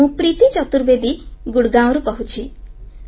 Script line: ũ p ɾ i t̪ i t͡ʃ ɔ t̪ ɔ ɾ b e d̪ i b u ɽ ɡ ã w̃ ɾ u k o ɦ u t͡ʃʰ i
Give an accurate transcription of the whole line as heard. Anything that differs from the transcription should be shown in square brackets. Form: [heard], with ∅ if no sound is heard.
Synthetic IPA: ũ p ɾ i t̪ i t͡ʃ ɔ t̪ [u] ɾ b e d̪ i [ɡ] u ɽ ɡ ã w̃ ɾ u k [ɔ] ɦ u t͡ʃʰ i